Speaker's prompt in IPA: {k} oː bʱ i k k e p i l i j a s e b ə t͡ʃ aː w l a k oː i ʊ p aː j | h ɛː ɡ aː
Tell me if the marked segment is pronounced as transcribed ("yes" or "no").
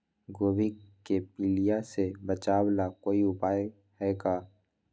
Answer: no